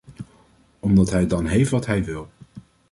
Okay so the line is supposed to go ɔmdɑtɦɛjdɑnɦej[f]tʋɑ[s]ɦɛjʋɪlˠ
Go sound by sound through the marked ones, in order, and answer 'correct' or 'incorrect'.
correct, incorrect: t

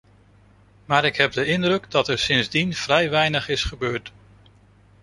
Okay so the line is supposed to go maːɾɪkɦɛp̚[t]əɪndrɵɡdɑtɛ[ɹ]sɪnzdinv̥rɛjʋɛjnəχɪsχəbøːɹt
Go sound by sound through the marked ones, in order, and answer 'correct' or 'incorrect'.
incorrect: d, correct

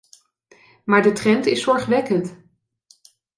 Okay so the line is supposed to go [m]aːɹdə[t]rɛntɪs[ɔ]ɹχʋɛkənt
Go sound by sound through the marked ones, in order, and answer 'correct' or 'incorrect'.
correct, correct, correct

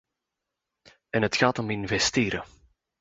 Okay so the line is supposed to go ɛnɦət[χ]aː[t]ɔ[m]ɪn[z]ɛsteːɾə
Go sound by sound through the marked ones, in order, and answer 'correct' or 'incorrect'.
incorrect: x, correct, correct, incorrect: v

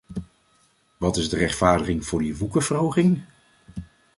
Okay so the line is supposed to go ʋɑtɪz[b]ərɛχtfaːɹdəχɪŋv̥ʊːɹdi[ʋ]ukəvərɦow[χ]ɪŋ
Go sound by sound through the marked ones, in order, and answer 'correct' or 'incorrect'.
incorrect: d, correct, correct

